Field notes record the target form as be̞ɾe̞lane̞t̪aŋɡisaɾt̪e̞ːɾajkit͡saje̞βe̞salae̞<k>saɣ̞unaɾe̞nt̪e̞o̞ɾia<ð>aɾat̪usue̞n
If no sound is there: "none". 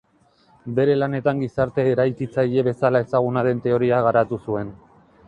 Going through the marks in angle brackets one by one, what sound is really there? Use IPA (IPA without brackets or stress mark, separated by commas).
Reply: none, ɣ